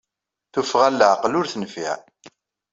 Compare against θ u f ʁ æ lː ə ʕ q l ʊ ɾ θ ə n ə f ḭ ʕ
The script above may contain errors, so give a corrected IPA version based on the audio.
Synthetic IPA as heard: θ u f ʁ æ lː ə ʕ q l ʊ ɾ θ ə n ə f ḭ ʕ